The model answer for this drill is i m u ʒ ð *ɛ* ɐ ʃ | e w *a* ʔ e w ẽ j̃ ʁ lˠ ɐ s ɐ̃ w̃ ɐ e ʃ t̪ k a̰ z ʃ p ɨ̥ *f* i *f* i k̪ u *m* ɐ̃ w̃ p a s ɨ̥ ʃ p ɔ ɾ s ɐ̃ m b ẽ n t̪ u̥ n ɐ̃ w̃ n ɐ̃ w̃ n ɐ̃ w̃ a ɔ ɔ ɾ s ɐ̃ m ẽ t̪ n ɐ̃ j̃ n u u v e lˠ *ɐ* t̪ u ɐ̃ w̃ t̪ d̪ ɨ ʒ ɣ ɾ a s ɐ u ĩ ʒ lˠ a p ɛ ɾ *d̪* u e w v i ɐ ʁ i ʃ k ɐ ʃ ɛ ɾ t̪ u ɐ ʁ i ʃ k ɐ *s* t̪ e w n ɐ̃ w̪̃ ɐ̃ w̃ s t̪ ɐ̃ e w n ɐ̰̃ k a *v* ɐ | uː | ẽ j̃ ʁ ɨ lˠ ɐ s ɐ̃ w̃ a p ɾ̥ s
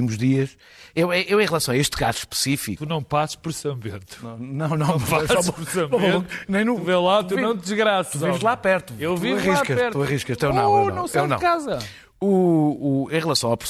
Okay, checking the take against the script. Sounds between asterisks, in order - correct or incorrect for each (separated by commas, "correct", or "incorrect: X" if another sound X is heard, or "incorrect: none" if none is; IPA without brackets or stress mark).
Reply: incorrect: i, incorrect: ɛ, incorrect: s, correct, incorrect: n, incorrect: a, incorrect: t̪, incorrect: ʃ, incorrect: z